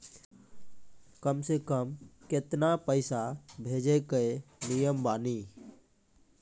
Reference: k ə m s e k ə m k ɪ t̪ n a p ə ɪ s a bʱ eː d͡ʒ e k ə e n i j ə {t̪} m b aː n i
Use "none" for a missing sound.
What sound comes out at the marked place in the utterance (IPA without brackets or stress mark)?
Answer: none